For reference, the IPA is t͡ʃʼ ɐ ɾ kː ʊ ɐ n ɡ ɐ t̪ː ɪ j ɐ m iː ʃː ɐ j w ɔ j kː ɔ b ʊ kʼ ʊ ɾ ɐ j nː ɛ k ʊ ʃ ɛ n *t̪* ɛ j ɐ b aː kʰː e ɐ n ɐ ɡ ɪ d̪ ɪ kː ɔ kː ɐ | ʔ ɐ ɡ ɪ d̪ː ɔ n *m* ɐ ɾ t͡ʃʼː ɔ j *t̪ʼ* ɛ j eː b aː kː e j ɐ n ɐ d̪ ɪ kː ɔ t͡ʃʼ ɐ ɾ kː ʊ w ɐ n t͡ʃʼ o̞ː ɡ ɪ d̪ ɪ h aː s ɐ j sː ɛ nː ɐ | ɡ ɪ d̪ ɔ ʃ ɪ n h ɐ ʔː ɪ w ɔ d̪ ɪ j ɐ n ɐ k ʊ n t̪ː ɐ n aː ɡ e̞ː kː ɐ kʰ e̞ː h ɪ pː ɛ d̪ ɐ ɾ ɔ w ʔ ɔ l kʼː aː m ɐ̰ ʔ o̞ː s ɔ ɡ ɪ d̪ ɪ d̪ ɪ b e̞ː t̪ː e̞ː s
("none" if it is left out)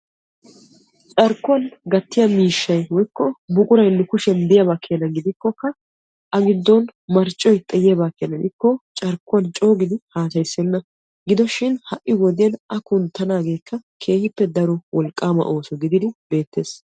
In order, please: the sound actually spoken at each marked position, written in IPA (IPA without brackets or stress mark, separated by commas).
d̪, m, t̪ʼ